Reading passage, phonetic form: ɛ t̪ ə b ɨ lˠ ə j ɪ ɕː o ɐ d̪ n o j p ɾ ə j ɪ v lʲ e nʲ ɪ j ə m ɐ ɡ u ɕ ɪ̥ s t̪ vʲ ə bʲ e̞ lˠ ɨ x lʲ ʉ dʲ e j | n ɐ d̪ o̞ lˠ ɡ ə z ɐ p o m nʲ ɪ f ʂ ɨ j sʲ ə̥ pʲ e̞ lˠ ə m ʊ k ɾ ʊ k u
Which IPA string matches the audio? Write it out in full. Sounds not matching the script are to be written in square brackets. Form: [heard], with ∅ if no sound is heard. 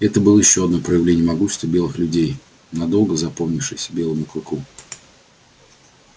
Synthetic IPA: ɛ t̪ ə b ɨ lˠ ə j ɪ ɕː o ɐ d̪ n o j p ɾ ə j ɪ v lʲ e nʲ ɪ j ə m ɐ ɡ u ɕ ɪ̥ s t̪ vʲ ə bʲ e̞ lˠ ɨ x lʲ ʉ dʲ e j | n ɐ d̪ o̞ lˠ ɡ ə z ɐ p o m nʲ ɪ f ʂ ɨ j sʲ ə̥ [bʲ] e̞ lˠ ə m ʊ k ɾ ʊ k u